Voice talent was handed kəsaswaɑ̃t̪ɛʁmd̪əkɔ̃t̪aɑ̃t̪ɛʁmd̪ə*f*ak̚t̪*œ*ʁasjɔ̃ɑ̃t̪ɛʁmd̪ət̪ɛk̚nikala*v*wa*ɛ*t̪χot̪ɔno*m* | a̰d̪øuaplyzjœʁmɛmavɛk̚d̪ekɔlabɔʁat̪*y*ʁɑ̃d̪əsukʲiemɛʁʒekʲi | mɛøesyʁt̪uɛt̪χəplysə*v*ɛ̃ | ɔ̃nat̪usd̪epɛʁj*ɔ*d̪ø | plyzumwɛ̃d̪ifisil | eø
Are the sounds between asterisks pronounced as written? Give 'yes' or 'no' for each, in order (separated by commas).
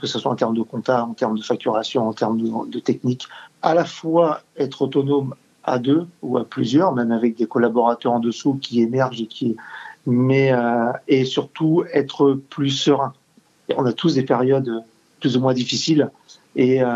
yes, no, no, yes, yes, no, no, yes